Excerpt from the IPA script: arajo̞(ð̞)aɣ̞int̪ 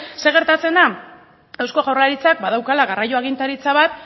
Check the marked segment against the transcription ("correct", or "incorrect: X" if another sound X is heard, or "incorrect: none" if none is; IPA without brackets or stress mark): incorrect: none